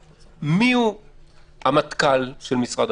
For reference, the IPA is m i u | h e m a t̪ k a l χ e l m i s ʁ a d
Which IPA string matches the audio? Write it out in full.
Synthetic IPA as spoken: m i u | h a m a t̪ k a l ʃ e l m i s ʁ a d